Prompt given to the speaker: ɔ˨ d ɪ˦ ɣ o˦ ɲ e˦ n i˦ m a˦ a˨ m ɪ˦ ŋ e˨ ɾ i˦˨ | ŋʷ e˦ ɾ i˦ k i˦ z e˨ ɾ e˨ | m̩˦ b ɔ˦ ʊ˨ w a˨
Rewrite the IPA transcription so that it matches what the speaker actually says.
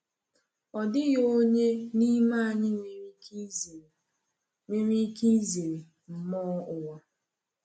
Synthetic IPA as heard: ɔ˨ d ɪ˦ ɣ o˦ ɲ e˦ n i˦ m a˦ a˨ ɲ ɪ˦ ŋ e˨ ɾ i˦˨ | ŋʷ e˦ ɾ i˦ k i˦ z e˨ ɾ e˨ | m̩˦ m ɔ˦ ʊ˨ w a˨

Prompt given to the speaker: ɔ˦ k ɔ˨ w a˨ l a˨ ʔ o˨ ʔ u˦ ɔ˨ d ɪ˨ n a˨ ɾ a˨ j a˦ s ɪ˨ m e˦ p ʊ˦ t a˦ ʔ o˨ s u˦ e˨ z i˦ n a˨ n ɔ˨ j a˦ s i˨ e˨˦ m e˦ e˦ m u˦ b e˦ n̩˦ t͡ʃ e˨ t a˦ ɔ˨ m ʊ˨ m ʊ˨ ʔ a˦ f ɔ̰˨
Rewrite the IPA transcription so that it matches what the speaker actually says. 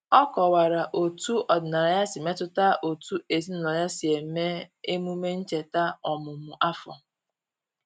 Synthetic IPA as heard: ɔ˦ k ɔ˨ w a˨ ɾ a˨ ʔ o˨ t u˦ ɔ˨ d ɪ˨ n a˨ ɾ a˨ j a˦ s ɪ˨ m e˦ t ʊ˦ t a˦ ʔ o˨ t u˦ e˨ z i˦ n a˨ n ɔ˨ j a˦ s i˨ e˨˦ m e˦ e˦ m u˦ m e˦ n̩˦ t͡ʃ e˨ t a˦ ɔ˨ m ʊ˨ m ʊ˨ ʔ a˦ f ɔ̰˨

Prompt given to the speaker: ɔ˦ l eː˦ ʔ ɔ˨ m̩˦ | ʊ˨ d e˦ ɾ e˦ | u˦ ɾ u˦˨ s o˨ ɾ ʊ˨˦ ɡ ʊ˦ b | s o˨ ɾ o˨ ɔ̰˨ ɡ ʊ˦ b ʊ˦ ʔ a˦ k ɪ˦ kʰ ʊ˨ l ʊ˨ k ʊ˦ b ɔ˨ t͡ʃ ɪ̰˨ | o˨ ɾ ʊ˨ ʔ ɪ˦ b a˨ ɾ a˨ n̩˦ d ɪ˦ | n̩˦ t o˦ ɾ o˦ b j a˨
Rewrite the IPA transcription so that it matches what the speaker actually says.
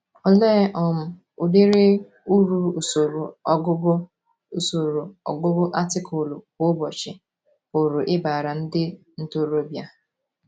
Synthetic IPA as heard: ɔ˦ l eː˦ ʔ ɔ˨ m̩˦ | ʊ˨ d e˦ ɾ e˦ | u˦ ɾ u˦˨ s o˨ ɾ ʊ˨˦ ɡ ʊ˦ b | s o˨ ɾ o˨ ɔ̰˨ ɡ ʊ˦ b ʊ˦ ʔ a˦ t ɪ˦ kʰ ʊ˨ l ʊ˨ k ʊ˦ b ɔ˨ t͡ʃ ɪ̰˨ | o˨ ɾ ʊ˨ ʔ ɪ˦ b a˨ ɾ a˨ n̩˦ d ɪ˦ | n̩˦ t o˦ ɾ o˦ b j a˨

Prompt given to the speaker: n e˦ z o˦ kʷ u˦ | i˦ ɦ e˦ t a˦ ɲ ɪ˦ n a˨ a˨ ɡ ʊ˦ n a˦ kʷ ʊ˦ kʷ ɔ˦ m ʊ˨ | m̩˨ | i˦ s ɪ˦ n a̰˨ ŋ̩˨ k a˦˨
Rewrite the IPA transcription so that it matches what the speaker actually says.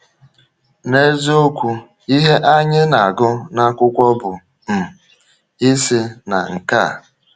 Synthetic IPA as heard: n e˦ z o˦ kʷ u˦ | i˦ ɦ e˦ ʔ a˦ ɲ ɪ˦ n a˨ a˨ ɡ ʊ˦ n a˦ kʷ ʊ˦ kʷ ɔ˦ b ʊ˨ | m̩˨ | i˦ s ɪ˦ n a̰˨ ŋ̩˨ k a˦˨

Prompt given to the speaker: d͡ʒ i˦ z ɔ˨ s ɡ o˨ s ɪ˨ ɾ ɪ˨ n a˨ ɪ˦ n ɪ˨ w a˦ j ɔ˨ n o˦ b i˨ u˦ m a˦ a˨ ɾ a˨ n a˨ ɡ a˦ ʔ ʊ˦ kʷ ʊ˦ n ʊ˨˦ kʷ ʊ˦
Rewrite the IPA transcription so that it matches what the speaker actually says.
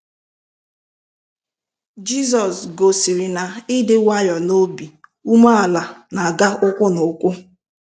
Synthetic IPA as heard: d͡ʒ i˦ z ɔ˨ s ɡ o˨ s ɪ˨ ɾ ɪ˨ n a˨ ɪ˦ d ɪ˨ w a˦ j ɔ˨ n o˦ b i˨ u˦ m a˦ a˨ l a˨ n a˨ ɡ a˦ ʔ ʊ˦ kʷ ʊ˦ n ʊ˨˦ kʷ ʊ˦

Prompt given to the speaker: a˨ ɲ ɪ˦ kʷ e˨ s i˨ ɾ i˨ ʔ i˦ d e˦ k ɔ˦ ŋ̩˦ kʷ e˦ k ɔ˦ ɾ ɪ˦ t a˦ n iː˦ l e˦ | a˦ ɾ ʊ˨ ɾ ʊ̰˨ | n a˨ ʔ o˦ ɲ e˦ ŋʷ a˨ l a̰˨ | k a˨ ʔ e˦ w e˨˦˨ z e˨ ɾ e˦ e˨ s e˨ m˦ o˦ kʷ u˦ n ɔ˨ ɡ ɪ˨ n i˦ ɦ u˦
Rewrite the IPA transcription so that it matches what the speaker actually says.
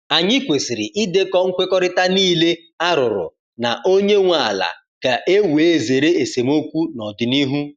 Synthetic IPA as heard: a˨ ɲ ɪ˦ kʷ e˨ s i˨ ɾ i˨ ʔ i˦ d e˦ k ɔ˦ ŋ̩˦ kʷ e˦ k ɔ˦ ɾ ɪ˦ t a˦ n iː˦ l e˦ | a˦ ɾ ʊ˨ ɾ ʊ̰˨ | n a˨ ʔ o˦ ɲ e˦ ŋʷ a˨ l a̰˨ | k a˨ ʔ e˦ w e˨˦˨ z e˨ ɾ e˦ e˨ s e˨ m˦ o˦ kʷ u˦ n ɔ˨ d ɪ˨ n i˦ ɦ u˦

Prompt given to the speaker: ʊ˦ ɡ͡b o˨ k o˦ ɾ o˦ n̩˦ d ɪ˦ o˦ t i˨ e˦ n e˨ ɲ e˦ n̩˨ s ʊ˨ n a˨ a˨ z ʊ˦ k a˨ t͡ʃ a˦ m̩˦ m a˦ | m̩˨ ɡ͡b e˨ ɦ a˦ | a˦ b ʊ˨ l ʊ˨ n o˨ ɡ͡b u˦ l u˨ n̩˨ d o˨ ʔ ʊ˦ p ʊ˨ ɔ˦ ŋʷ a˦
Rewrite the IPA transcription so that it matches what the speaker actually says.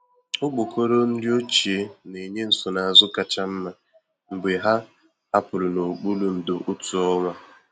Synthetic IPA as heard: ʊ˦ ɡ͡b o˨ k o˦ ɾ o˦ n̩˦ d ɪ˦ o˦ t͡ʃ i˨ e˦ n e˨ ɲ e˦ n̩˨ s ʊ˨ n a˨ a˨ z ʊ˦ k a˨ t͡ʃ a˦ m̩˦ m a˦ | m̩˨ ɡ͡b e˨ ɦ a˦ | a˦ p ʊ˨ l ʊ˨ n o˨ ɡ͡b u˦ l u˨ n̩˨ d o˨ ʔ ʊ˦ t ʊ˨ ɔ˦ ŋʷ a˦

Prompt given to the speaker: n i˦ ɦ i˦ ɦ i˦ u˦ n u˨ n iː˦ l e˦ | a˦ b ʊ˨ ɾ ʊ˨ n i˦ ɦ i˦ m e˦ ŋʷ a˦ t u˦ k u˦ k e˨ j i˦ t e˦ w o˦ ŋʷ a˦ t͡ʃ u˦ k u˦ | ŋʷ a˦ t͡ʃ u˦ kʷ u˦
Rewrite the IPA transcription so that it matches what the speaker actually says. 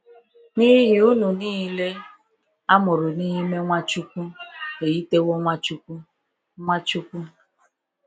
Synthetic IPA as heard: n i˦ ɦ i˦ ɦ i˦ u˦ n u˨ n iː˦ l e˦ | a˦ m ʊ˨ ɾ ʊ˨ n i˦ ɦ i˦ m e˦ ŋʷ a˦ t͡ʃ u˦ k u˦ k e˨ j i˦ t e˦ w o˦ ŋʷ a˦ t͡ʃ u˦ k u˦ | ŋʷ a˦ t͡ʃ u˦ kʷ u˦

